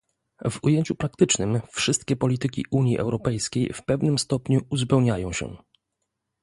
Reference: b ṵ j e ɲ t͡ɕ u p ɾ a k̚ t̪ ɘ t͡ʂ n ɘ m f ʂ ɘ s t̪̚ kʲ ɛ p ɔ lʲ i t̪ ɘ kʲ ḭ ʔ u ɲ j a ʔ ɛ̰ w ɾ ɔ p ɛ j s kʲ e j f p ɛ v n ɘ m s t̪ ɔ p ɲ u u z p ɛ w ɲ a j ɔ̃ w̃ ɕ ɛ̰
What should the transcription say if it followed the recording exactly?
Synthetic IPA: v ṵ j e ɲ t͡ɕ u p ɾ a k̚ t̪ ɘ t͡ʂ n ɘ m f ʂ ɘ s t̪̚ kʲ ɛ p ɔ lʲ i t̪ ɘ kʲ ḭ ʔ u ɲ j i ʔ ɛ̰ w ɾ ɔ p ɛ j s kʲ e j f p ɛ v n ɘ m s t̪ ɔ p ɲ u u z p ɛ w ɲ a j ɔ̃ w̃ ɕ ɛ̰